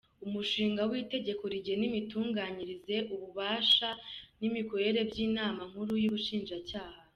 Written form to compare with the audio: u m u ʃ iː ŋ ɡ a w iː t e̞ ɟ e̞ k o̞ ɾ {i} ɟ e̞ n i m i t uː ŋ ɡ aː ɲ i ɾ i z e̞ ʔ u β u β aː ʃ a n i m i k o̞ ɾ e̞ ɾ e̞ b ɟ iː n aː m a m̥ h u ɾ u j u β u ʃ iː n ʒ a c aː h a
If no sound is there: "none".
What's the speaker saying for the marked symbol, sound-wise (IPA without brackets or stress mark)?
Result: i